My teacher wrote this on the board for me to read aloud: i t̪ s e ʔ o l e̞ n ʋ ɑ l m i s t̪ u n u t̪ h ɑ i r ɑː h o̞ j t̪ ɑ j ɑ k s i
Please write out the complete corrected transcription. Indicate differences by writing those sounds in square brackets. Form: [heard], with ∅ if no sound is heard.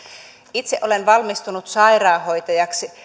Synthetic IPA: i t̪ s e ʔ o l e̞ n ʋ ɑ l m i s t̪ u n u t̪ [s] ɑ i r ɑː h o̞ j t̪ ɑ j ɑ k s i